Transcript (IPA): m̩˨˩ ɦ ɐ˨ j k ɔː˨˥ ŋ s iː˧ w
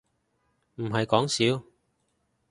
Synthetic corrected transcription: m̩˨˩ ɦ ɐ˨ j k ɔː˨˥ ŋ s iː˨˥ w

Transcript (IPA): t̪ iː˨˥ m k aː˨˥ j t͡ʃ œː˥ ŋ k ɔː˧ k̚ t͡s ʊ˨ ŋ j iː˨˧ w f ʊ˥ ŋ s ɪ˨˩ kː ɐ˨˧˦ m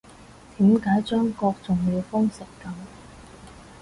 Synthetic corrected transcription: t̪ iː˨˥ m k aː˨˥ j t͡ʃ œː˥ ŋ k ɔː˧ k̚ t͡s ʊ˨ ŋ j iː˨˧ w f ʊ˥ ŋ s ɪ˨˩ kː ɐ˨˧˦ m

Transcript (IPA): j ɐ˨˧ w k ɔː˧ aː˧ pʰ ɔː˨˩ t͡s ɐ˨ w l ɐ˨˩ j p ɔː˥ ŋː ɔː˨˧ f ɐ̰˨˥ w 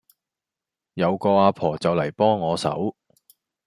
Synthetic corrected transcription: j ɐ˨˧ w k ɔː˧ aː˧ pʰ ɔː˨˩ t͡s ɐ˨ w l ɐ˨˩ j p ɔː˥ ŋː ɔː˨˧ s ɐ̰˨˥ w

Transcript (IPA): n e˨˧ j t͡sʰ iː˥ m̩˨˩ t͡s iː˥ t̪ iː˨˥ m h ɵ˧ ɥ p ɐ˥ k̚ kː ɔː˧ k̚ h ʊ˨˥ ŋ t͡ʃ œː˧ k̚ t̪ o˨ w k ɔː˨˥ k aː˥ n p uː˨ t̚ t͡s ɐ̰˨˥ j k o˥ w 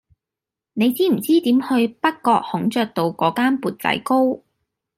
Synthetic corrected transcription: n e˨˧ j t͡s iː˥ m̩˨˩ t͡s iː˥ t̪ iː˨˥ m h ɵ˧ ɥ p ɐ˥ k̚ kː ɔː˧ k̚ h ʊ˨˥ ŋ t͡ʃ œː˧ k̚ t̪ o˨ w k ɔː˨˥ k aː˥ n p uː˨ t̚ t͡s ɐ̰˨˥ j k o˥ w

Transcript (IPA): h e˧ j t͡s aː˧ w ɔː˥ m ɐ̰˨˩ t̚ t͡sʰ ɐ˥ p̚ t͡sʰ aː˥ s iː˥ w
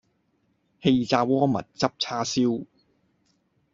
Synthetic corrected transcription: h e˧ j t͡s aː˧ w ɔː˥ m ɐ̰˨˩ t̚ t͡s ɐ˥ p̚ t͡sʰ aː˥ s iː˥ w

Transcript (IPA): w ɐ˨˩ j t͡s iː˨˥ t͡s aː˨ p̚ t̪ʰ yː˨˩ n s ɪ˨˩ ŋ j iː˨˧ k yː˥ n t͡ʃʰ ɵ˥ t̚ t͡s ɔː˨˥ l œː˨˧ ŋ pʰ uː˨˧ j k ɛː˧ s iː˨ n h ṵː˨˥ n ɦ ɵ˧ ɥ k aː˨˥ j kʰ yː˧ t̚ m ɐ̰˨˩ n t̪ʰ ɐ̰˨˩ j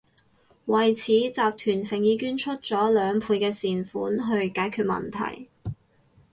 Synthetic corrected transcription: w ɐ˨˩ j t͡sʰ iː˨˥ t͡s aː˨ p̚ t̪ʰ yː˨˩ n s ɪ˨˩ ŋ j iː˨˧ k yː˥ n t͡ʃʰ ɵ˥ t̚ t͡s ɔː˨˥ l œː˨˧ ŋ pʰ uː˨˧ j k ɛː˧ s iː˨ n f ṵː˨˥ n ɦ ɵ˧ ɥ k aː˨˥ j kʰ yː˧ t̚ m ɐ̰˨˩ n t̪ʰ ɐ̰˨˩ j

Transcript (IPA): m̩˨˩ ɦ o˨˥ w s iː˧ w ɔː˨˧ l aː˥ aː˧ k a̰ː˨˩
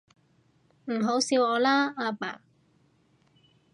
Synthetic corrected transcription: m̩˨˩ ɦ o˨˥ w s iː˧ w ɔː˨˧ l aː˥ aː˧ p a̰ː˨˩

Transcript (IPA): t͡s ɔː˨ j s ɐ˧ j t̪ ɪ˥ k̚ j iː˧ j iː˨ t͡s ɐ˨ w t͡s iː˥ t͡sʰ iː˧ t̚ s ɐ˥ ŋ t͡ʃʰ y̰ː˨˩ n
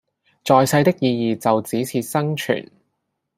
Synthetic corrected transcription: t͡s ɔː˨ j s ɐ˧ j t̪ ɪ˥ k̚ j iː˧ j iː˨ t͡s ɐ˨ w t͡s iː˨˥ t͡sʰ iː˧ t̚ s ɐ˥ ŋ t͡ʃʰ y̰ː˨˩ n

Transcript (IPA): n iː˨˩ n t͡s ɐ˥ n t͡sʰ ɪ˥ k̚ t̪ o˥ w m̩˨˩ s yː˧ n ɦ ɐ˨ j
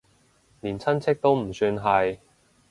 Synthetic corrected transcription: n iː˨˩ n t͡sʰ ɐ˥ n t͡sʰ ɪ˥ k̚ t̪ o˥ w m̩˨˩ s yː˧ n ɦ ɐ˨ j

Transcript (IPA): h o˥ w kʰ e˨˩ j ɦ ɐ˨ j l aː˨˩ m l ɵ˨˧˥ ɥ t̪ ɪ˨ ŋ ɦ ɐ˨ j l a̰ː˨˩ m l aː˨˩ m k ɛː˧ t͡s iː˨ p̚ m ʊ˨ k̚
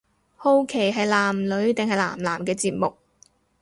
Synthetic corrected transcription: h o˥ w kʰ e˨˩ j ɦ ɐ˨ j l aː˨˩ m l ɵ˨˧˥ ɥ t̪ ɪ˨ ŋ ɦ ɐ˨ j l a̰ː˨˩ m l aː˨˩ m k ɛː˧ t͡s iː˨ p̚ m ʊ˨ k̚

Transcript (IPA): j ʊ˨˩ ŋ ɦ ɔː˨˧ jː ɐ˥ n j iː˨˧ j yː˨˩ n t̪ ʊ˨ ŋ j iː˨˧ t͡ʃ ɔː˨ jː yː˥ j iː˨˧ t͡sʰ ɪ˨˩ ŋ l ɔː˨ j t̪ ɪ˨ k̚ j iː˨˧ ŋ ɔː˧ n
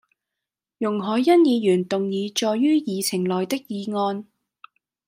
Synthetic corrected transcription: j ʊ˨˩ ŋ ɦ ɔː˨˧ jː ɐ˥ n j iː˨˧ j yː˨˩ n t̪ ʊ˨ ŋ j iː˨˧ t͡ʃ ɔː˨ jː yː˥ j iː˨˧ t͡sʰ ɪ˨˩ ŋ l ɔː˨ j t̪ ɪ˥ k̚ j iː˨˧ ŋ ɔː˧ n

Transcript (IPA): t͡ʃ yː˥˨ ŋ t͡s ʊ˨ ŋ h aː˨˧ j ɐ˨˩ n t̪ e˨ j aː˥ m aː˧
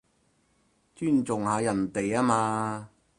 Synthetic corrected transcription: t͡ʃ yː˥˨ n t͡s ʊ˨ ŋ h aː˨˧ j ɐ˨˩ n t̪ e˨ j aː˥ m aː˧

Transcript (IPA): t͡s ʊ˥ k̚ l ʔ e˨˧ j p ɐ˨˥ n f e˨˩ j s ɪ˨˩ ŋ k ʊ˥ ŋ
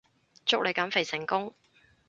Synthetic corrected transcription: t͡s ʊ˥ k̚ l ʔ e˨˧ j k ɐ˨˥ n f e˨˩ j s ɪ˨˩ ŋ k ʊ˥ ŋ

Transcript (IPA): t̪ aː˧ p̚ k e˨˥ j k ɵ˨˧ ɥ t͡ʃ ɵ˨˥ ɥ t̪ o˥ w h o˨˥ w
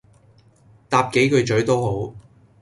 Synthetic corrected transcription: t̪ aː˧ p̚ k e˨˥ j k ɵ˨˧ ɥ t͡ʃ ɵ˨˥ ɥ t̪ o˥ w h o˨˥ w

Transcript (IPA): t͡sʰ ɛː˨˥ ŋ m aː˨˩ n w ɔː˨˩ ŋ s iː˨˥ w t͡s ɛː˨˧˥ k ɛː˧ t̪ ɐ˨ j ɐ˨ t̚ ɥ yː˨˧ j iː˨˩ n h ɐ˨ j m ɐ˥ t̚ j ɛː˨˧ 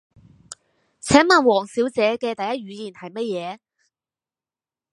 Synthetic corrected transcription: t͡sʰ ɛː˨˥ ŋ m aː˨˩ n w ɔː˨˩ ŋ s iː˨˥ w t͡s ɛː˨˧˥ k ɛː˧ t̪ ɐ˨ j ɐ˥ t̚ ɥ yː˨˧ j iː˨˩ n h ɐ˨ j m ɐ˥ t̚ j ɛː˨˧

